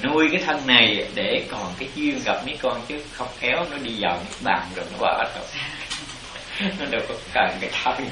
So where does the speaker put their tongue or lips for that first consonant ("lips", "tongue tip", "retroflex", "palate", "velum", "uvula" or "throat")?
tongue tip